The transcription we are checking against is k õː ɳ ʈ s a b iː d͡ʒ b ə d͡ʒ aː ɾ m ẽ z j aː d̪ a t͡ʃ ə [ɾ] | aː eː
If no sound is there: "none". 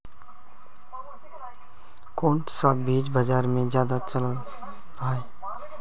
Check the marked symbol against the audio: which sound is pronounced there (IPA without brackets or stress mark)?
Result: l